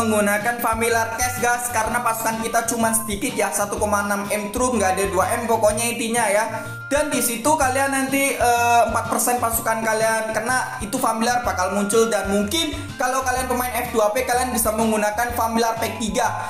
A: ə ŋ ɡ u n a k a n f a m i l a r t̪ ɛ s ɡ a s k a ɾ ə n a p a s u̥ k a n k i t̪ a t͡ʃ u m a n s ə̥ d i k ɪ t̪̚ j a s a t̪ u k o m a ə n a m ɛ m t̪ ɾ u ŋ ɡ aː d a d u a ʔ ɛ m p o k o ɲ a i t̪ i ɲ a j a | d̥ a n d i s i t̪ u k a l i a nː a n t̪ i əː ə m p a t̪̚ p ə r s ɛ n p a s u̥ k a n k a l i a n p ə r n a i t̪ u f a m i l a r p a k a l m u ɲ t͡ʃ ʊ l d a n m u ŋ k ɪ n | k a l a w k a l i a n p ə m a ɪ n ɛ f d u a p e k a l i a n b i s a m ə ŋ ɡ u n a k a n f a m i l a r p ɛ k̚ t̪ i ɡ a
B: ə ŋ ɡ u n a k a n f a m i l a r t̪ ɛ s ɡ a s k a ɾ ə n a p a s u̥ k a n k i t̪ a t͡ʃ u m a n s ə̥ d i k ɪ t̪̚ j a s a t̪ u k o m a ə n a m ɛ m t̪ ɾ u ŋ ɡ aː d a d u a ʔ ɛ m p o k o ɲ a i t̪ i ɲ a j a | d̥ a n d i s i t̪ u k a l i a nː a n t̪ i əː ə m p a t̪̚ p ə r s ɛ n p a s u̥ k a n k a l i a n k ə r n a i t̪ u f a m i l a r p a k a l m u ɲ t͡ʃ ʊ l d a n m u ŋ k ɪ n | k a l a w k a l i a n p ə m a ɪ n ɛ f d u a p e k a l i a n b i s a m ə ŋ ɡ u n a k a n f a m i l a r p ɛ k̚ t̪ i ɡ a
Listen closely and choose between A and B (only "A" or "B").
B